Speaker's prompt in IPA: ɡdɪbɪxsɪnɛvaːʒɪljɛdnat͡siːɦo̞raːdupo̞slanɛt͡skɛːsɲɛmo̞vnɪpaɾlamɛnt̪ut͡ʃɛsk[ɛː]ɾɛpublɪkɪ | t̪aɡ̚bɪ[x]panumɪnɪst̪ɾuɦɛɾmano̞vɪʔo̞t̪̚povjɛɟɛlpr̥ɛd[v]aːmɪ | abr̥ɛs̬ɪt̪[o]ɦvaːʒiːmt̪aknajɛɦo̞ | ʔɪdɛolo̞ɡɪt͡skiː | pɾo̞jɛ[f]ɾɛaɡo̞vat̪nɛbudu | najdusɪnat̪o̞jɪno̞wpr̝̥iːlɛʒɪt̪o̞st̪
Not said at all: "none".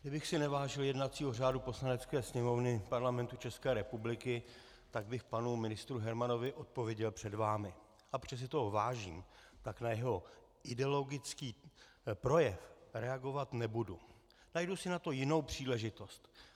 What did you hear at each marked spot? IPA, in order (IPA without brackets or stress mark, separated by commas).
ɛː, x, v, o, f